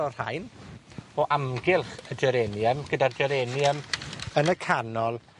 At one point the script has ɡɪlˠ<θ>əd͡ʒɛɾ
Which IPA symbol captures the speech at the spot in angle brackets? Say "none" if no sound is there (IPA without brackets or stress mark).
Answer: χ